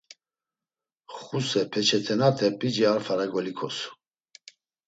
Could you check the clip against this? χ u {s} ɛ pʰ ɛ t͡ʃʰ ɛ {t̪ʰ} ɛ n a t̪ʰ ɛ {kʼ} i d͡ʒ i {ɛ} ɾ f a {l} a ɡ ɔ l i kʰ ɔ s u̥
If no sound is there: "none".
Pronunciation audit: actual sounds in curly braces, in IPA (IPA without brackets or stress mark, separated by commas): s, t̪ʰ, pʼ, a, ɾ